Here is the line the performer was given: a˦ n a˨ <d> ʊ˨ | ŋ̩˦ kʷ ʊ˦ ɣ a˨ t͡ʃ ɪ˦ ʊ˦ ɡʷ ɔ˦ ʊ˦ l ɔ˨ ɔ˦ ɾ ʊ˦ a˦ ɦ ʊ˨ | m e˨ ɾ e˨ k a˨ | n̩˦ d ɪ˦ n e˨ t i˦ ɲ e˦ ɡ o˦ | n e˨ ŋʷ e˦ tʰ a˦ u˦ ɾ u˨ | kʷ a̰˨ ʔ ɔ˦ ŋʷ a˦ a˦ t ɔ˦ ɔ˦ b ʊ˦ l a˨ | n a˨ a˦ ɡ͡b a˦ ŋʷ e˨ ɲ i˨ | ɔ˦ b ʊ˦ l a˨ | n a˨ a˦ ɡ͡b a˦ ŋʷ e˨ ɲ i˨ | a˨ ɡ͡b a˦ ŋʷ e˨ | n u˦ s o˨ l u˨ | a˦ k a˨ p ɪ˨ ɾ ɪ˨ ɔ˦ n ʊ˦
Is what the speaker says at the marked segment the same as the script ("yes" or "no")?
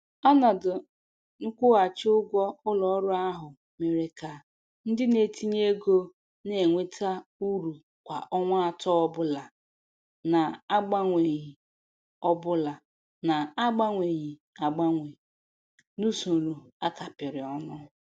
yes